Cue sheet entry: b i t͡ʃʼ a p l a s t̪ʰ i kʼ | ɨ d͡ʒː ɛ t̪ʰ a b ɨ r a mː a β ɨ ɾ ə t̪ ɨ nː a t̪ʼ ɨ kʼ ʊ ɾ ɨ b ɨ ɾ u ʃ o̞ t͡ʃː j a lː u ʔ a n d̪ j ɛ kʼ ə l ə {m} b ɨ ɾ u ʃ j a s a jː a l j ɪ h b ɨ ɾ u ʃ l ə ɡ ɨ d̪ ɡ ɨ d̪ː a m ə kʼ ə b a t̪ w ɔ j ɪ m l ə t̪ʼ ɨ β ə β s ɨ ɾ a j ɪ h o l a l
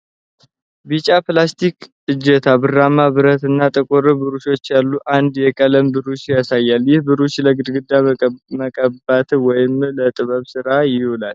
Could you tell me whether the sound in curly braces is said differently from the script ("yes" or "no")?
no